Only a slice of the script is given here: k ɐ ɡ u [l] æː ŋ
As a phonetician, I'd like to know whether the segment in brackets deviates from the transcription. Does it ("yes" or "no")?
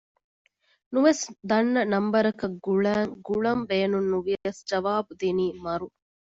yes